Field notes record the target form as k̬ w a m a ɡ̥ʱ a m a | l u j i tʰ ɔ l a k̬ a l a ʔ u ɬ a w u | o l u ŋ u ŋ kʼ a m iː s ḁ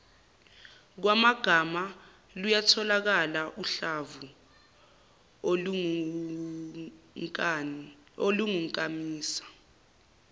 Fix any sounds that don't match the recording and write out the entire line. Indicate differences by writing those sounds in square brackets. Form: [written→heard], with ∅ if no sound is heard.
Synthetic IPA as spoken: k̬ w a m a ɡ̥ʱ a m a | l u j [i→a] tʰ ɔ l a k̬ a l a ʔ u ɬ a [w→v] u | o l u ŋ u ŋ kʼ a m iː s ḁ